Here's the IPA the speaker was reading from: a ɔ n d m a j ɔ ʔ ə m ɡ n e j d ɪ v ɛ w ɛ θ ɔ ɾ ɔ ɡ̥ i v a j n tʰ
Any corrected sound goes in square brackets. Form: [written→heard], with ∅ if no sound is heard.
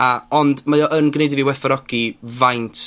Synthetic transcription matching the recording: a ɔ n d m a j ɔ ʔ ə [m→n] ɡ n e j d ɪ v [ɛ→i] w ɛ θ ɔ ɾ ɔ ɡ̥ i v a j n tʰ